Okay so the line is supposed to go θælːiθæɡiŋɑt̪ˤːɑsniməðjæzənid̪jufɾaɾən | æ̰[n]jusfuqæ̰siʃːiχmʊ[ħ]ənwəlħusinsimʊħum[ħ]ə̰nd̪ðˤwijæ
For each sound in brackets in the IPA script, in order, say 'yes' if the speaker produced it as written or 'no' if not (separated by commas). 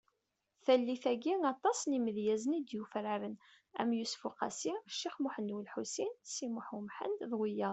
no, yes, yes